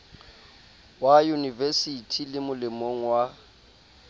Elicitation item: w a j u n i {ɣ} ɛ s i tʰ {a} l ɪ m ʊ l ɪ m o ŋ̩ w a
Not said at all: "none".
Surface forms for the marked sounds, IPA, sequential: v, i

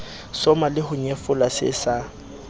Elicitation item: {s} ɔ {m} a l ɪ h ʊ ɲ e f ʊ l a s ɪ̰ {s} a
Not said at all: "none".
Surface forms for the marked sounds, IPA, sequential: s, m, s

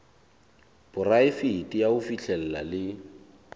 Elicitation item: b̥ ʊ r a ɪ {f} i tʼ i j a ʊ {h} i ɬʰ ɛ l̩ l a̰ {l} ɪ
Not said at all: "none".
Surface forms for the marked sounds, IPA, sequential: f, f, l

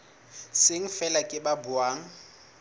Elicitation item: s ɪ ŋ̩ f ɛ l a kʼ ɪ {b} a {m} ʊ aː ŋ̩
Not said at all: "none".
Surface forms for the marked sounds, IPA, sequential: b, b

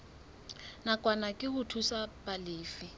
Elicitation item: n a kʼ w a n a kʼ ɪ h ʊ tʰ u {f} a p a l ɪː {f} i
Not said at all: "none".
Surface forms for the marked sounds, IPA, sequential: s, f

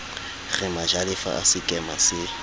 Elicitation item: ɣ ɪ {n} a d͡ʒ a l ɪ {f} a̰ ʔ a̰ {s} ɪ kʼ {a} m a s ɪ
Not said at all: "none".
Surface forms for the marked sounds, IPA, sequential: m, f, s, ɛ

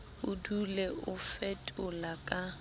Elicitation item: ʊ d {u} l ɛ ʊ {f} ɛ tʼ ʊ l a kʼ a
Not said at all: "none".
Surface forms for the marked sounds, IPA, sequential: u, f

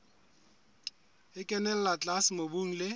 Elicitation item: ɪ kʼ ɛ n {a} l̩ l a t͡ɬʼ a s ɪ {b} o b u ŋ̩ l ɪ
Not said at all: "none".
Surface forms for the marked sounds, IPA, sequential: ɛ, m

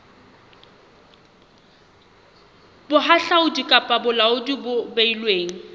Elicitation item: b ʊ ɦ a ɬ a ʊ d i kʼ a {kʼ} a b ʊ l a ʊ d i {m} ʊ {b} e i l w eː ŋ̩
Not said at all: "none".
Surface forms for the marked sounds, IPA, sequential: pʼ, b, b

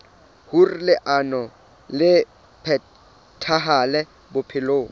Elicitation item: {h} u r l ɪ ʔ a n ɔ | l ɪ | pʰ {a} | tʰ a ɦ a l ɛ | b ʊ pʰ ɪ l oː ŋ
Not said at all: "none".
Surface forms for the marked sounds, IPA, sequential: h, ɛ

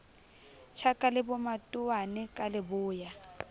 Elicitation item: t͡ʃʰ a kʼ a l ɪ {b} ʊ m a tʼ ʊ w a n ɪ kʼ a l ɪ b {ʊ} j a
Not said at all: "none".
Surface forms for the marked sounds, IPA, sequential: b, ʊː

